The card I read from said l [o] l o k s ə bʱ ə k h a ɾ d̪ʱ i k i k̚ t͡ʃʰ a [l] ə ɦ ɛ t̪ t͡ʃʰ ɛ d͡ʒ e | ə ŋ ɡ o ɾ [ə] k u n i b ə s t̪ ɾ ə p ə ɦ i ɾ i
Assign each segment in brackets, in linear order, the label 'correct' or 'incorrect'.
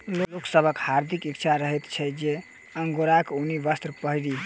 correct, incorrect, incorrect

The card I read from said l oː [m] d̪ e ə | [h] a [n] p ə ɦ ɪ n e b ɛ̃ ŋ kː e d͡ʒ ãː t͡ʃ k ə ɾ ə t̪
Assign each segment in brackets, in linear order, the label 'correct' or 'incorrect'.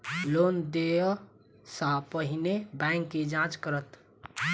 incorrect, incorrect, incorrect

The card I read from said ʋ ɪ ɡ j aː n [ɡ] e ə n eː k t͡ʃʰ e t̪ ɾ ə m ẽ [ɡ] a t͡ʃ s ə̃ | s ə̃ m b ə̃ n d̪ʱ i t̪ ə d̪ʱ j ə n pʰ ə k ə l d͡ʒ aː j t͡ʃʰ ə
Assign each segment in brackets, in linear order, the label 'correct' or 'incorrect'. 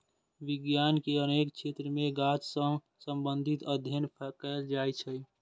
incorrect, correct

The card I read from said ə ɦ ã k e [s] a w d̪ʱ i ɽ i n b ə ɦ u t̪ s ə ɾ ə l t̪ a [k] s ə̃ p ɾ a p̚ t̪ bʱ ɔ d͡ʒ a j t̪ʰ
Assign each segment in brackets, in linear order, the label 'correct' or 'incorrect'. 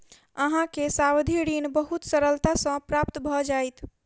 correct, incorrect

